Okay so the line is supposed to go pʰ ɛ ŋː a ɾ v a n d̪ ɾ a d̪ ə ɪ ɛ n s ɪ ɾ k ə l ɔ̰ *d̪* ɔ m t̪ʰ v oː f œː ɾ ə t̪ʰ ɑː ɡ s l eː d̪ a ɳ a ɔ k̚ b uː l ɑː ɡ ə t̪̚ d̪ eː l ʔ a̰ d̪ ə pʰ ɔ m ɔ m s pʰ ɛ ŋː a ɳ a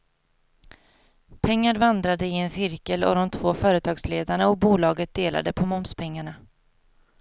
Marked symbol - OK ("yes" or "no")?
yes